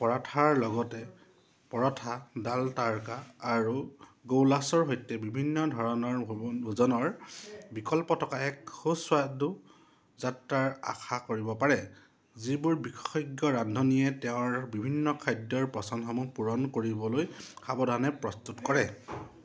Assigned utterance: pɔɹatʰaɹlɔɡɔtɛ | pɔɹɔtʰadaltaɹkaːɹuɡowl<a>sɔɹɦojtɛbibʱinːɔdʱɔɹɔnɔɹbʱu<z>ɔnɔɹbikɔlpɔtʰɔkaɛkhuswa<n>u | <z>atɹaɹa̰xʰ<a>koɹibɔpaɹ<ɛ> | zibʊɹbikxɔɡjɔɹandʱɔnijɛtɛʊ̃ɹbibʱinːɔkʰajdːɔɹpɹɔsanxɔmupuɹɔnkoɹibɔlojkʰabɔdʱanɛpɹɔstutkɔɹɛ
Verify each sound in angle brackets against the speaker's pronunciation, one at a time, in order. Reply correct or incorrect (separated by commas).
correct, correct, incorrect, correct, correct, correct